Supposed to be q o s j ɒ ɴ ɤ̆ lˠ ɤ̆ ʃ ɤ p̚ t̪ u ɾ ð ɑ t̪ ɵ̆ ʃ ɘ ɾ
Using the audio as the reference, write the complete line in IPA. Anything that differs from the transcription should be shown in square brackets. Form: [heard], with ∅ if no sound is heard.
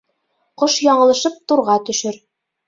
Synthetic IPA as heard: q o [ʃ] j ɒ ɴ ɤ̆ lˠ ɤ̆ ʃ ɤ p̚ t̪ u ɾ [ʁ] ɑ t̪ ɵ̆ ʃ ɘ ɾ

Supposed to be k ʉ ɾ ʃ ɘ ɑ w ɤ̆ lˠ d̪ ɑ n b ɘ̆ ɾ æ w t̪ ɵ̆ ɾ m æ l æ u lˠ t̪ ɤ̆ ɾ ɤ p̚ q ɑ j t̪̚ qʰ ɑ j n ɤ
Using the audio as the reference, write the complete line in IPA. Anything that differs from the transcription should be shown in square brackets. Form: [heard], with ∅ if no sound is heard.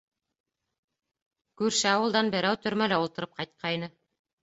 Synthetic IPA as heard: k ʉ ɾ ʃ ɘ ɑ w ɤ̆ lˠ d̪ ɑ n b ɘ̆ ɾ æ w t̪ ɵ̆ ɾ m æ l æ u lˠ t̪ ɤ̆ ɾ ɤ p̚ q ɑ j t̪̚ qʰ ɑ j n ɤ

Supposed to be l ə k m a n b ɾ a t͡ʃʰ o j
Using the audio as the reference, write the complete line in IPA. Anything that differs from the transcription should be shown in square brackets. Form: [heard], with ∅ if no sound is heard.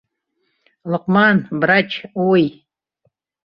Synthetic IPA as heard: l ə [q] m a n b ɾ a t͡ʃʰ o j

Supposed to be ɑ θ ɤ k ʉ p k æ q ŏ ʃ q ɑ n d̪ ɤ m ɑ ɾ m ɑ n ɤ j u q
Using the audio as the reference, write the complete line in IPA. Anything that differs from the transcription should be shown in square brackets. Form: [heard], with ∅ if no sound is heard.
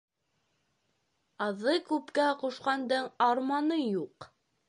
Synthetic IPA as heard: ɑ [ð] ɤ k ʉ p k æ q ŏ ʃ q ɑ n d̪ ɤ [ɴ] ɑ ɾ m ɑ n ɤ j u q

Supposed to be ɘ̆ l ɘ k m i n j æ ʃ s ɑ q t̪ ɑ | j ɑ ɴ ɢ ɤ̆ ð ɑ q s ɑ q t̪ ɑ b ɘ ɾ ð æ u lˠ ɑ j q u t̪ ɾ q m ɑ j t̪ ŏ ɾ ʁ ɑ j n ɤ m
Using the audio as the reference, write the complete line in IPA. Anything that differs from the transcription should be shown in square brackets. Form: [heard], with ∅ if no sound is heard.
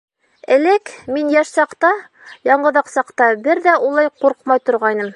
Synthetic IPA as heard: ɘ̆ l ɘ k m i n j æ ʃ s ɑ q t̪ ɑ | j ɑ ɴ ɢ ɤ̆ ð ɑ q s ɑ q t̪ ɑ b ɘ ɾ ð æ u lˠ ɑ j q u [∅] ɾ q m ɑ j t̪ ŏ ɾ ʁ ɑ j n ɤ m

